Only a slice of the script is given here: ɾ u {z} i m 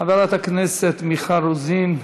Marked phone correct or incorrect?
correct